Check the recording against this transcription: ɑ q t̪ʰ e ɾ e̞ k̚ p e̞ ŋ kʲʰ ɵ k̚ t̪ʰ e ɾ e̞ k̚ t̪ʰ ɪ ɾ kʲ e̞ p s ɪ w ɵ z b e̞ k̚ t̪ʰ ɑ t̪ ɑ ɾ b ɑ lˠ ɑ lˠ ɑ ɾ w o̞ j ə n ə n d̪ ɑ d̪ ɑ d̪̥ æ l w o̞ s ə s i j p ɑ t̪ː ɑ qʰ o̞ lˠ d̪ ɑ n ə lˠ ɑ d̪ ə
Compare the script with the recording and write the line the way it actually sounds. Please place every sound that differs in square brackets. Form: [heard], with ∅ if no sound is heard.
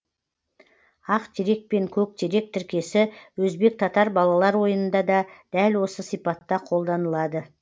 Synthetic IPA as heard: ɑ q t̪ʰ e ɾ e̞ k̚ p e̞ ŋ kʲʰ ɵ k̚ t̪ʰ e ɾ e̞ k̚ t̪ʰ ɪ ɾ kʲ e̞ [∅] s ɪ w ɵ z b e̞ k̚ t̪ʰ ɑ t̪ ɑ ɾ b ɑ lˠ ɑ lˠ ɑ ɾ w o̞ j ə n ə n d̪ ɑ d̪ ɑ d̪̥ æ l w o̞ s ə s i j p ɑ t̪ː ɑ qʰ o̞ lˠ d̪ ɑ n ə lˠ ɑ d̪ ə

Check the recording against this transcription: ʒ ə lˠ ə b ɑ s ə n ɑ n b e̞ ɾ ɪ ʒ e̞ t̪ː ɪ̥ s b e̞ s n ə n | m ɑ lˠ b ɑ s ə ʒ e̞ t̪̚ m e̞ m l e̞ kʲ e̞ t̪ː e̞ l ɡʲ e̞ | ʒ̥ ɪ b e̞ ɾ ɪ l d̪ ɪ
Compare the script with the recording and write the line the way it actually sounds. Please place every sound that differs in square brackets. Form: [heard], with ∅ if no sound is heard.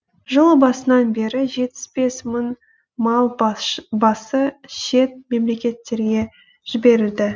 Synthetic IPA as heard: ʒ ə lˠ ə b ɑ s ə n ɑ n b e̞ ɾ ɪ ʒ e̞ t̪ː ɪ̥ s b e̞ s [m] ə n | m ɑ lˠ b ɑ s ə [ʃ] e̞ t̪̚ m e̞ m l e̞ kʲ e̞ t̪ː e̞ [ɾ] ɡʲ e̞ | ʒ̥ ɪ b e̞ ɾ ɪ l d̪ ɪ

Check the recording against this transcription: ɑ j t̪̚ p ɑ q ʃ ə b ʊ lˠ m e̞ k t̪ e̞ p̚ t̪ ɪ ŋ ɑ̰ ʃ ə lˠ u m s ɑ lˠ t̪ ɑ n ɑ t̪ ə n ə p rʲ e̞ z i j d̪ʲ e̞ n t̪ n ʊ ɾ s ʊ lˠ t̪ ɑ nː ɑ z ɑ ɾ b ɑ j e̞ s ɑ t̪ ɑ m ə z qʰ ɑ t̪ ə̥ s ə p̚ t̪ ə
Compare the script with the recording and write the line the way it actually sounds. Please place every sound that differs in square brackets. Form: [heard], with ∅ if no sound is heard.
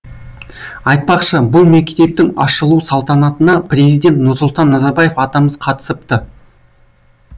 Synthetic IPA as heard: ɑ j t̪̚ p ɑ q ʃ ə b ʊ lˠ m e̞ k t̪ e̞ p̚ t̪ ɪ ŋ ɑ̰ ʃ ə lˠ u [∅] s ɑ lˠ t̪ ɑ n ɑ t̪ ə n [ɑ] p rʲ e̞ z i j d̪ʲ e̞ n t̪ n ʊ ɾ s ʊ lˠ t̪ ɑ nː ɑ z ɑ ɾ b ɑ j e̞ [f] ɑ t̪ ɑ m ə z qʰ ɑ t̪ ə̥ s ə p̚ t̪ ə

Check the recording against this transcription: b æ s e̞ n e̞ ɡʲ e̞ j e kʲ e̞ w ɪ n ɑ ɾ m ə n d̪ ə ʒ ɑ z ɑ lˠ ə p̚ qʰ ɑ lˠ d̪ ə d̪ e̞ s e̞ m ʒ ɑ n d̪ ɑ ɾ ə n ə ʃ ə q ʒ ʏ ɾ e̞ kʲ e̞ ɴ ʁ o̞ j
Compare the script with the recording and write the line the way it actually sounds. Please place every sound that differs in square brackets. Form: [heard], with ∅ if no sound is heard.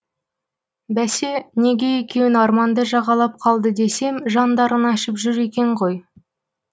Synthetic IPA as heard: b æ s e̞ n e̞ ɡʲ e̞ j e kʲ e̞ w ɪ n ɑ ɾ m [ɑ] n d̪ ə ʒ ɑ [ʁ] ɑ lˠ [ɑ] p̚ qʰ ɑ lˠ d̪ ə d̪ e̞ s e̞ m ʒ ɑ n d̪ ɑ ɾ ə n [ɑ] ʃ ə [p] ʒ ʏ ɾ e̞ kʲ e̞ ɴ ʁ o̞ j

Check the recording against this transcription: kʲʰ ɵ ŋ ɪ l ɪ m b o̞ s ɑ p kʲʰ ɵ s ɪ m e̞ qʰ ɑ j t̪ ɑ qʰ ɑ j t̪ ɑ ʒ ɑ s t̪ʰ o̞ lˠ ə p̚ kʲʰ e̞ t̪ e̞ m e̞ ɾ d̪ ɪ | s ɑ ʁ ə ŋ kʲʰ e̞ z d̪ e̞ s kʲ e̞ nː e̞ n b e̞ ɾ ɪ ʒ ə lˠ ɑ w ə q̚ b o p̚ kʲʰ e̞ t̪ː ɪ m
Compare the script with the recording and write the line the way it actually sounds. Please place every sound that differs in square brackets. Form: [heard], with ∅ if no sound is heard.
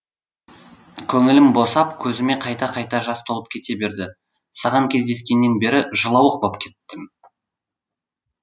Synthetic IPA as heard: kʲʰ ɵ ŋ ɪ l ɪ m b o̞ s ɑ p kʲʰ ɵ [z] ɪ m e̞ qʰ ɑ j t̪ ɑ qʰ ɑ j t̪ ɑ ʒ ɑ s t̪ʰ o̞ lˠ ə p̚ kʲʰ e̞ t̪ e̞ [b] e̞ ɾ d̪ ɪ | s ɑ ʁ [ɑ] ŋ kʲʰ e̞ z d̪ e̞ s kʲ e̞ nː e̞ n b e̞ ɾ ɪ ʒ ə lˠ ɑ w ə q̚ b o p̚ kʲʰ e̞ t̪ː ɪ m

